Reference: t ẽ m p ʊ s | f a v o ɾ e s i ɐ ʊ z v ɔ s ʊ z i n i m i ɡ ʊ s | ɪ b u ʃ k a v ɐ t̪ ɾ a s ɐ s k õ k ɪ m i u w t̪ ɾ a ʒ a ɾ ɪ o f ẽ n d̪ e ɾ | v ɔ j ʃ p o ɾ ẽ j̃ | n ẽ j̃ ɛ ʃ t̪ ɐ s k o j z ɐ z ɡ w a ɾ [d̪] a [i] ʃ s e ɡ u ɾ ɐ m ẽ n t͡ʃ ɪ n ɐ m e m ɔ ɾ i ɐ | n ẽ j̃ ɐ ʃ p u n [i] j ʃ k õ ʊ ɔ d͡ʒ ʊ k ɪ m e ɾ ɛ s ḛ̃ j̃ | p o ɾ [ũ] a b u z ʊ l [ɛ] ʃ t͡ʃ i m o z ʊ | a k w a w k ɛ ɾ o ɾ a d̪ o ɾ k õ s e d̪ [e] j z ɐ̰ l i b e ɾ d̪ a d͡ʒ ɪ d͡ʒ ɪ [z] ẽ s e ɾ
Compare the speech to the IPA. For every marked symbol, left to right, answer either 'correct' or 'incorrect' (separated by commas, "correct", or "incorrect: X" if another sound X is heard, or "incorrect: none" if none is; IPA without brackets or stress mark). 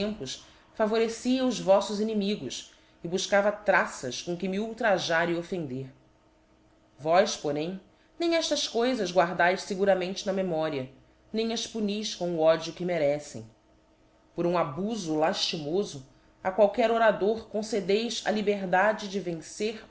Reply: correct, incorrect: j, correct, correct, incorrect: a, correct, incorrect: v